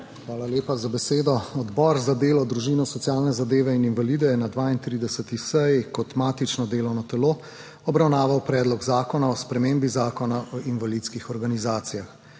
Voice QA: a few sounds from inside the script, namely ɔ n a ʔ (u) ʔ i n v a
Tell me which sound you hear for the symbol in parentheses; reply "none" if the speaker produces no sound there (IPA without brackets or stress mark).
ɔ